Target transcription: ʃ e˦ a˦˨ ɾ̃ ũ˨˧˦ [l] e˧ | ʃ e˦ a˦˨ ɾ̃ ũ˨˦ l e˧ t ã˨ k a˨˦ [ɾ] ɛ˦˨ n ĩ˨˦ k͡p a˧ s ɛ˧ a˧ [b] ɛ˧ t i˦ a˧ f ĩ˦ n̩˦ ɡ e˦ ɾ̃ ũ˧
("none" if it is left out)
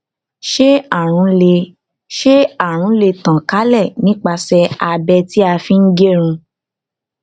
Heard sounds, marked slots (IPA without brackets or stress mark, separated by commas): l, l, b